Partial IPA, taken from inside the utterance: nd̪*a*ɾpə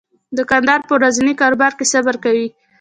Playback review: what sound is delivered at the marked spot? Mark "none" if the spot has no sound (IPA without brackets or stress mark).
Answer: ɑ